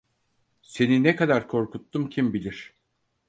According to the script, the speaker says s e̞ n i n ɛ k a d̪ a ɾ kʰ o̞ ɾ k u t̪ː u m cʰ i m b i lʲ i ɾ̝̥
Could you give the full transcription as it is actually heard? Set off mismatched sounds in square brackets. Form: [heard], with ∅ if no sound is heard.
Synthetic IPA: s e̞ n i n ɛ k a d̪ a ɾ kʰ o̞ ɾ k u t̪ː u m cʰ i m b i lʲ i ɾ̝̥